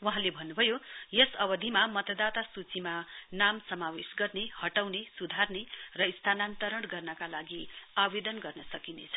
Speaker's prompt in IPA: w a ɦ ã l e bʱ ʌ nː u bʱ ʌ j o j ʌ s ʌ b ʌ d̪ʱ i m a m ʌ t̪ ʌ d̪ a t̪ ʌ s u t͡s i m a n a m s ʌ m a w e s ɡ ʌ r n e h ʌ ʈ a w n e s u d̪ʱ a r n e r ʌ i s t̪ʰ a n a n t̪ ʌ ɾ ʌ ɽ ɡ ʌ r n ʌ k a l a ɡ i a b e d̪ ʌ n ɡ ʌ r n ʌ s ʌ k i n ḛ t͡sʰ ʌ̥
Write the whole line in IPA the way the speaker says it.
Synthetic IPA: w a ɦ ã l e bʱ ʌ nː u bʱ ʌ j o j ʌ s ʌ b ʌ d̪ʱ i m a m ʌ t̪ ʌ d̪ a t̪ a s u t͡s i m a n a m s ʌ m a w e s ɡ ʌ r n e h ʌ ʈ a w n e s u d̪ʱ a r n e r ʌ i s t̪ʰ a n a n t̪ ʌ ɾ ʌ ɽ ɡ ʌ r n ʌ k a l a ɡ i a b e d̪ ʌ n ɡ ʌ r n ʌ s ʌ k i n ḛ t͡sʰ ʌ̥